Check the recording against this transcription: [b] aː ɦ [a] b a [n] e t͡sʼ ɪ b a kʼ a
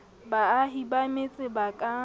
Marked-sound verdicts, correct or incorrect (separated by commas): correct, incorrect, incorrect